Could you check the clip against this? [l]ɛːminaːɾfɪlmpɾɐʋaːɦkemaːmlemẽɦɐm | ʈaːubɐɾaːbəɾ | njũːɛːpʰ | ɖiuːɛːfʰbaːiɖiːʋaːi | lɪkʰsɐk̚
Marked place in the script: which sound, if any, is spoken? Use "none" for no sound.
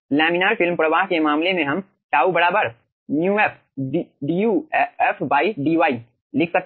l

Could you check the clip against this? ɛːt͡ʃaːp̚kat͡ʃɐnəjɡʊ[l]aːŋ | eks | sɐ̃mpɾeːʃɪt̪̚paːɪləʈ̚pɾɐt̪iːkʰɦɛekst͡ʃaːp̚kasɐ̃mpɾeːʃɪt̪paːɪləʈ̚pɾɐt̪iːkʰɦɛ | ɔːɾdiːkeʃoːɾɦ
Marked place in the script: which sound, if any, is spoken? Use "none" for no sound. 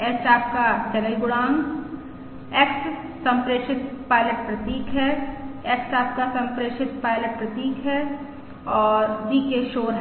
ɽ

